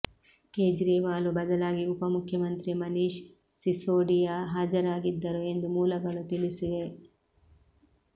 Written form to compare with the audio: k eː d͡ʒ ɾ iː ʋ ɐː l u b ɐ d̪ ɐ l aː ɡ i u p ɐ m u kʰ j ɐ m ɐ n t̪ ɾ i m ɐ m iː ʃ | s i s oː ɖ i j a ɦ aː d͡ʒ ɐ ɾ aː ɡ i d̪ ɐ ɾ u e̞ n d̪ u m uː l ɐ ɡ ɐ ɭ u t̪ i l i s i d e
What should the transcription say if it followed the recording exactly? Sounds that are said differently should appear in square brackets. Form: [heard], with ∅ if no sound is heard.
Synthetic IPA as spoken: k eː d͡ʒ ɾ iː ʋ [aː] l u b ɐ d̪ ɐ l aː ɡ i u p ɐ m u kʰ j ɐ m ɐ n t̪ ɾ i m ɐ [n] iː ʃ | s i s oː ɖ i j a ɦ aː d͡ʒ ɐ ɾ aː ɡ i [d̪ː] ɐ ɾ u e̞ n d̪ u m uː l ɐ ɡ ɐ ɭ u t̪ i l i s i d e